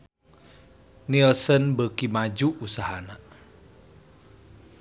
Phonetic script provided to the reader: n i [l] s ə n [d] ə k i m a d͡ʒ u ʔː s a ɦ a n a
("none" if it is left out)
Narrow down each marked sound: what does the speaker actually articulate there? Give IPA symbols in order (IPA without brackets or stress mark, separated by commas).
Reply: l, b